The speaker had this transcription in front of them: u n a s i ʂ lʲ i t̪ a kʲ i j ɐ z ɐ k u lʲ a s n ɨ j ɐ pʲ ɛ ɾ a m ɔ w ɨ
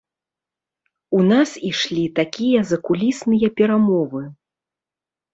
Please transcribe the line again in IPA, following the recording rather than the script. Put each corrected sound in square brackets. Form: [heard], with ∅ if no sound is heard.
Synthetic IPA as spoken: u n a s i ʂ lʲ i t̪ a kʲ i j ɐ z ɐ k u lʲ [i] s n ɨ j ɐ pʲ ɛ ɾ a m ɔ [v] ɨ